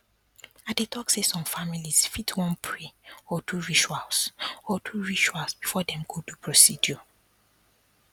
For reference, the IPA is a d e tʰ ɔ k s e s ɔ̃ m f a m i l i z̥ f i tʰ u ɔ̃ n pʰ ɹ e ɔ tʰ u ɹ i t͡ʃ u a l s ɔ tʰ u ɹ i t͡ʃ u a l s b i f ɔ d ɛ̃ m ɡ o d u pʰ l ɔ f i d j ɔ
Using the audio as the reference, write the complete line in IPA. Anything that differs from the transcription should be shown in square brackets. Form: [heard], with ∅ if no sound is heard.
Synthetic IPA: a d e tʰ ɔ k s e s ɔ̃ m f a m i l i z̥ f i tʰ [w] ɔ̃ n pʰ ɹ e ɔ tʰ u ɹ i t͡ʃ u a l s ɔ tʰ u ɹ i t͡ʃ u a l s b i f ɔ d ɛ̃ m ɡ o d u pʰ [ɹ] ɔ [s] i d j ɔ